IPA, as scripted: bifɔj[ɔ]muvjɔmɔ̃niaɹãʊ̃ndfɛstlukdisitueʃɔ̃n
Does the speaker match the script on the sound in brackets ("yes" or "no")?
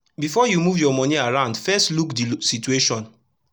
no